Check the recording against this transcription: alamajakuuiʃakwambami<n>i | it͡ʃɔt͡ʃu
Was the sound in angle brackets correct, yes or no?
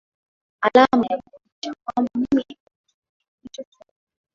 no